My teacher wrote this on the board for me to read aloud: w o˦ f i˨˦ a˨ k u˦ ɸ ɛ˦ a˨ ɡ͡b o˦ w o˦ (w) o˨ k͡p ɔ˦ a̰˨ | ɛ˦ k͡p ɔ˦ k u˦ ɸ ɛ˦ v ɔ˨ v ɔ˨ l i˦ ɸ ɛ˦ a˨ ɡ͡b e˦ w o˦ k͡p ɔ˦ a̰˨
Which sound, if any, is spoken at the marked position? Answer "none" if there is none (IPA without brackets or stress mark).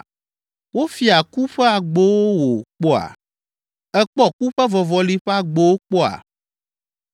w